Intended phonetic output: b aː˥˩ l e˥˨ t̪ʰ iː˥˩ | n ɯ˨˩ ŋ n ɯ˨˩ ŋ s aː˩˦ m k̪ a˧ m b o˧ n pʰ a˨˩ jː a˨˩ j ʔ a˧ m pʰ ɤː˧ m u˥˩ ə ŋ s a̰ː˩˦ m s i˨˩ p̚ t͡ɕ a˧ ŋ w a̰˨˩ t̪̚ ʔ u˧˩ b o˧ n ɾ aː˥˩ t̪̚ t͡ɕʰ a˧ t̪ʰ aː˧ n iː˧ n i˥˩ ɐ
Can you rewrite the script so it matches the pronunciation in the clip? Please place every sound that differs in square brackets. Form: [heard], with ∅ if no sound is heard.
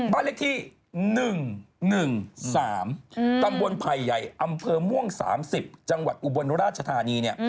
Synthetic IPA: b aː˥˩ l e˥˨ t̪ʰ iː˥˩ | n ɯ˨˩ ŋ n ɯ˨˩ ŋ s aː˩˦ m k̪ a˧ m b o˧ n pʰ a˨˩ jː a˨˩ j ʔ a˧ m pʰ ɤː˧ m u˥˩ ə ŋ s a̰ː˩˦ m s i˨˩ p̚ t͡ɕ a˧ ŋ w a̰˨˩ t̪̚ ʔ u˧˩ b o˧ n ɾ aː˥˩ t̪̚ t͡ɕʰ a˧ t̪ʰ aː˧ n iː˧ n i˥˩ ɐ